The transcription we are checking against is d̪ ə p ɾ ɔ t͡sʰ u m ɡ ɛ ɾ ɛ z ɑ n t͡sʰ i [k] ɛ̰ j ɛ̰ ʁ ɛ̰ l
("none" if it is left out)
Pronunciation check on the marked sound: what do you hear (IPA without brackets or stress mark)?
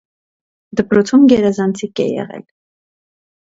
k